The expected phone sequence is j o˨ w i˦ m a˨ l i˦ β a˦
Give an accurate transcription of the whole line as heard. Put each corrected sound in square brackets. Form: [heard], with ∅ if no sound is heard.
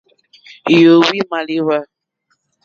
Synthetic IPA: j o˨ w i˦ m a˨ l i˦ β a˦